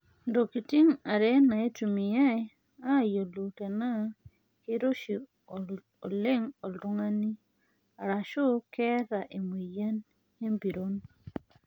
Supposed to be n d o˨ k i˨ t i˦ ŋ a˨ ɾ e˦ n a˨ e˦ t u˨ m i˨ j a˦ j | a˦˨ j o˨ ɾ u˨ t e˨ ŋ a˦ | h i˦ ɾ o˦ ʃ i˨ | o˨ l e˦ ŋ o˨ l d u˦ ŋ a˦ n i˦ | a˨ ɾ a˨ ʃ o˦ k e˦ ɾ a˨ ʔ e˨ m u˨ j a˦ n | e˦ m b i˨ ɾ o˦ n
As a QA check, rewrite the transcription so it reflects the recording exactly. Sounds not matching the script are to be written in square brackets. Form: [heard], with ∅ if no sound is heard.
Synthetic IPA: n d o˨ k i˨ t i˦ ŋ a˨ ɾ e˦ n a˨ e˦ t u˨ m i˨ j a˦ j | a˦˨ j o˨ [l] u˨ t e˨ [n] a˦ | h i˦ ɾ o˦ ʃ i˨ | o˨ l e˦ ŋ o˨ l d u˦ ŋ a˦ n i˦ | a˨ ɾ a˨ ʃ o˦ k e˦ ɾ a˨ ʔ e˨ m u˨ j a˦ n | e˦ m b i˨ ɾ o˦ n